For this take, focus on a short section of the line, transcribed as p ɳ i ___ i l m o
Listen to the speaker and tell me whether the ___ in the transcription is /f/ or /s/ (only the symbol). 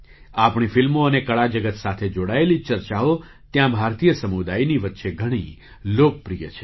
f